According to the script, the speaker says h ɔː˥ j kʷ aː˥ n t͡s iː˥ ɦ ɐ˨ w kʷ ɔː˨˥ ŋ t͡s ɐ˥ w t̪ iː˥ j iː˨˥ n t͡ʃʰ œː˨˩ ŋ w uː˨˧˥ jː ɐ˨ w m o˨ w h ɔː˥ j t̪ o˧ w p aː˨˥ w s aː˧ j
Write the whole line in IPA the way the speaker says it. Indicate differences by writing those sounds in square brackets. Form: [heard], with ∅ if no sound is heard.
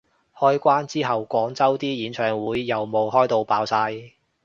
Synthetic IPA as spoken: h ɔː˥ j kʷ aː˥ n t͡s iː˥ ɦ ɐ˨ w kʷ ɔː˨˥ ŋ t͡s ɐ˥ w t̪ iː˥ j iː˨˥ n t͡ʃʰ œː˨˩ ŋ w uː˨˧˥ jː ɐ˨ w m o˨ w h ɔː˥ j t̪ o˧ w p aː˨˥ w s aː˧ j